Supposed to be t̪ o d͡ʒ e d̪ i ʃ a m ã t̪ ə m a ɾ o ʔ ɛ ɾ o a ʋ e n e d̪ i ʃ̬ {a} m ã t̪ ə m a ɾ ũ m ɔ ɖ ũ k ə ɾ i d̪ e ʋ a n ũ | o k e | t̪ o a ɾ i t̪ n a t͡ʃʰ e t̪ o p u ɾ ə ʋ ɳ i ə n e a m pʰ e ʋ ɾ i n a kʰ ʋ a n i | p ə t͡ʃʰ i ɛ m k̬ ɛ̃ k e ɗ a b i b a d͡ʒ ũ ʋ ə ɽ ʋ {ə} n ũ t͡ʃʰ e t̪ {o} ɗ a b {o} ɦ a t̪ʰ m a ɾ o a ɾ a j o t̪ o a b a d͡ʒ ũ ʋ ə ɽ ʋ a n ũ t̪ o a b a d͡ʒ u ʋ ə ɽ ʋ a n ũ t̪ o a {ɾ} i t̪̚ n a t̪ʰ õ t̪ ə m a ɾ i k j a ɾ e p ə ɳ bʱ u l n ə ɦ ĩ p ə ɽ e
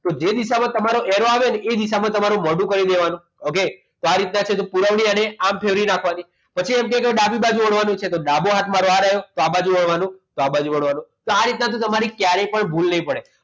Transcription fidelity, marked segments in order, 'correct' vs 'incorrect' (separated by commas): correct, incorrect, correct, correct, correct